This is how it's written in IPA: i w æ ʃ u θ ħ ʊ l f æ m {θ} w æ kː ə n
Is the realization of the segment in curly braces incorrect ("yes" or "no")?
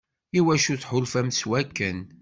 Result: yes